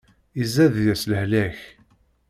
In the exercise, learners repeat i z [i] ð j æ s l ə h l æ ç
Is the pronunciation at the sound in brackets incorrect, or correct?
incorrect